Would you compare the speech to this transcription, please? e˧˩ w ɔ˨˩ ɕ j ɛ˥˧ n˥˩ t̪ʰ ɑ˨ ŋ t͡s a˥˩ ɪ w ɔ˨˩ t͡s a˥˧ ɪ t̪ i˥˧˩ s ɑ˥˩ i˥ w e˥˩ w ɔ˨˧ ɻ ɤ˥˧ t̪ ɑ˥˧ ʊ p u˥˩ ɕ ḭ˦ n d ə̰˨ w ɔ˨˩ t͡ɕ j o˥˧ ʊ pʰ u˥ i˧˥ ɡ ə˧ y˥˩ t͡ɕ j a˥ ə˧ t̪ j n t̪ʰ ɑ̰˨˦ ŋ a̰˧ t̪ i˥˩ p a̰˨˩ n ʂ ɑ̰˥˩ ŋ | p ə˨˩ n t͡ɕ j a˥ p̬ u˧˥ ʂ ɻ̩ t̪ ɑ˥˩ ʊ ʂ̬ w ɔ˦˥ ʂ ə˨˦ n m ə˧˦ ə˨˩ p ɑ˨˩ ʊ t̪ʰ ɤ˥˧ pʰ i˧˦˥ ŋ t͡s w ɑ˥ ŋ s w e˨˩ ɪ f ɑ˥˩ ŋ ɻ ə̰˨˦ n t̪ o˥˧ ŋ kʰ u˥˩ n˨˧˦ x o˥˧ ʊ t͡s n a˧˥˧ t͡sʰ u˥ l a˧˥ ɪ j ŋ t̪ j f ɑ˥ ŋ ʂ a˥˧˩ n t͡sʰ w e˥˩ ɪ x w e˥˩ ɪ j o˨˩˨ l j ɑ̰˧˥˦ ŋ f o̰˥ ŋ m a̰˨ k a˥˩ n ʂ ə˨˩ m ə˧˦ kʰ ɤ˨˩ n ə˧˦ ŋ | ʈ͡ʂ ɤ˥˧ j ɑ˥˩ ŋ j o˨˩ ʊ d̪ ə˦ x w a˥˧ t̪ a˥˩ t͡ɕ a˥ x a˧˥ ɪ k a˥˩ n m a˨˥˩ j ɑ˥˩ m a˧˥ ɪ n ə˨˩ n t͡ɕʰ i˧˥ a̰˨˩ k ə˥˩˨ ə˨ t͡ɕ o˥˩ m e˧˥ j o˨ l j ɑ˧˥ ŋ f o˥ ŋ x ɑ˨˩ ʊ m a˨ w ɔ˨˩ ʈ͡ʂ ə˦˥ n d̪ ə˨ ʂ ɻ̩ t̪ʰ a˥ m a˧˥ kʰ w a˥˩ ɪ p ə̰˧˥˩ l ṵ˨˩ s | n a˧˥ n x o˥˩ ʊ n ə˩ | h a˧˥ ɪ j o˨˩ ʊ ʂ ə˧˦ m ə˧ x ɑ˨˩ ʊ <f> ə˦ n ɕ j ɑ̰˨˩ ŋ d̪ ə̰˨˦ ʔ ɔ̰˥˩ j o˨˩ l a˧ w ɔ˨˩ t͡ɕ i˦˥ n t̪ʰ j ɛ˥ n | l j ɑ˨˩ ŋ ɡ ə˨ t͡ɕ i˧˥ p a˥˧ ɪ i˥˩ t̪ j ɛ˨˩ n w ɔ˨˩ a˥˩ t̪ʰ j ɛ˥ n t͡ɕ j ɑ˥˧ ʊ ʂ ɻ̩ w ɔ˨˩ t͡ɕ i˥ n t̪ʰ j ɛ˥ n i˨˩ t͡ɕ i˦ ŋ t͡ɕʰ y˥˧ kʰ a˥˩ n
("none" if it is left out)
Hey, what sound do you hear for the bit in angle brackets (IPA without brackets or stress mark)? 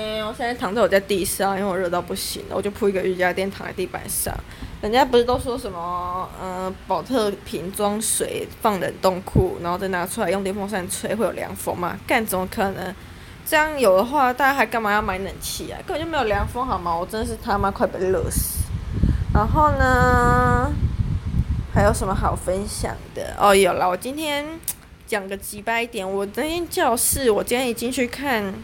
f